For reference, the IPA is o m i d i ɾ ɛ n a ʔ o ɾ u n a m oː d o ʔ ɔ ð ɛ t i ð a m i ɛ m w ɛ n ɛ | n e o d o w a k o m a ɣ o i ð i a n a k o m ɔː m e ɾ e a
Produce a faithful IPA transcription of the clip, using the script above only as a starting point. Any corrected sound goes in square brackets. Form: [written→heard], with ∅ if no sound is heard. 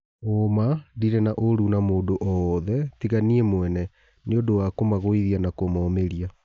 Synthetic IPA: o m [i→a] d i ɾ ɛ n a ʔ o ɾ u n a m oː d o ʔ ɔ ð ɛ t i [ð→ɣ] a [m→n] i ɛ m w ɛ n ɛ | n e o d o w a k o m a ɣ o i ð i a n a k o m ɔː m e ɾ [e→i] a